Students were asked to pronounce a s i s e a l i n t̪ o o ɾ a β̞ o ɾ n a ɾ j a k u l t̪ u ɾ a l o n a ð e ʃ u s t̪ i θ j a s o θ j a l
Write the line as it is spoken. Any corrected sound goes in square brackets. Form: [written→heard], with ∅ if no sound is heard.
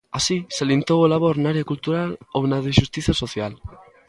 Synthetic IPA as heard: a s i s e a l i n t̪ o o [ɾ→l] a β̞ o ɾ n a ɾ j a k u l t̪ u ɾ a l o n a ð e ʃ u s t̪ i θ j a s o θ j a l

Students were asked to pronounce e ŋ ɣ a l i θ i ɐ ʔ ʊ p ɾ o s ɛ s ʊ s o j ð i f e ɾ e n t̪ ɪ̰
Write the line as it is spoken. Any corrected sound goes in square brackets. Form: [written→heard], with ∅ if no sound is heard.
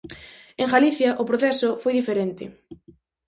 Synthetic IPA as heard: e ŋ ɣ a l i θ [i→j] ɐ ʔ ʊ p ɾ o [s→θ] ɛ s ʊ [s→f] o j ð i f e ɾ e n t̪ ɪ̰

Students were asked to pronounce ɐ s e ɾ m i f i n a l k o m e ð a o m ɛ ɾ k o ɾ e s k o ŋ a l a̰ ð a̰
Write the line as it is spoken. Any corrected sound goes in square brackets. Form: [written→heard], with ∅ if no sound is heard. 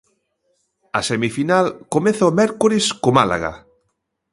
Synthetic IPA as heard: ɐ s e [ɾ→∅] m i f i n a l k o m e [ð→θ] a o m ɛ ɾ k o ɾ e s k o [ŋ→m] a l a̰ [ð→ɣ] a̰

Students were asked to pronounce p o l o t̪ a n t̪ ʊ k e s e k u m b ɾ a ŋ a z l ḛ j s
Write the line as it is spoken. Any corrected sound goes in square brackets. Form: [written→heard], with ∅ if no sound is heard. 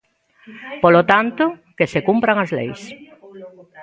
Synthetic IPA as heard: p o l o t̪ a n t̪ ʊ k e s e k u m [b→p] ɾ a ŋ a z l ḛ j s

